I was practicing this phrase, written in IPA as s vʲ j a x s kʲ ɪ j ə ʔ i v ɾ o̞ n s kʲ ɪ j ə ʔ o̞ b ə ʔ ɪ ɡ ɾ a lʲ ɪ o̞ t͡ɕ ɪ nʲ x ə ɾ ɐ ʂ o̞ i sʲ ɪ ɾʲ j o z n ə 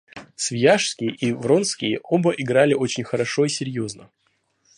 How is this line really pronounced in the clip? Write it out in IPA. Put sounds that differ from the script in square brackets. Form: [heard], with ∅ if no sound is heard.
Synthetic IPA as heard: s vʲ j a [ʂ] s kʲ ɪ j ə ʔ i v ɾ o̞ n s kʲ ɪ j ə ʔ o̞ b ə ʔ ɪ ɡ ɾ a lʲ ɪ o̞ t͡ɕ ɪ nʲ x ə ɾ ɐ ʂ o̞ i sʲ ɪ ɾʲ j o z n ə